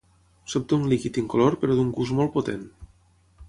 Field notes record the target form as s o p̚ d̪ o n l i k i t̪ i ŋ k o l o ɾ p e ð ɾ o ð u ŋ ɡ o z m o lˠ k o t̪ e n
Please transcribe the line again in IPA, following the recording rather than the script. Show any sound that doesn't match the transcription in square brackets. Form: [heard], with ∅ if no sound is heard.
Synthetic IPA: s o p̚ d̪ [u] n l i k i t̪ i ŋ k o l o ɾ p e [∅] ɾ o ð u ŋ ɡ [u] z m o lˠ [p] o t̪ e n